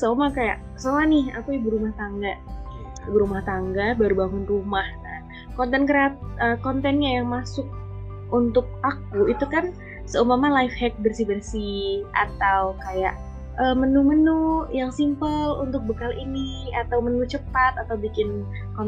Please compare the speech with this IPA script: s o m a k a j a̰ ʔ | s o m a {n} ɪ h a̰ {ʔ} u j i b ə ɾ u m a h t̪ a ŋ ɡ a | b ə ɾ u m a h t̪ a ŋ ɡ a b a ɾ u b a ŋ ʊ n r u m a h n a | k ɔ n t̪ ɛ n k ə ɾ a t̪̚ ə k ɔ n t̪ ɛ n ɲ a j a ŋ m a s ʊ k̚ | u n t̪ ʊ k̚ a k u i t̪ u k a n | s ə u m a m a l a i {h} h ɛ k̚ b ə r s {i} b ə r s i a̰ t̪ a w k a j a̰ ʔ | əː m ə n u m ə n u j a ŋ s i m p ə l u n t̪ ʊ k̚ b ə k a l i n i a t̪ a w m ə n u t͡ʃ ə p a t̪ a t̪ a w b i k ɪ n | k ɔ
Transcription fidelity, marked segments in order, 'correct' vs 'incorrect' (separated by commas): correct, incorrect, incorrect, correct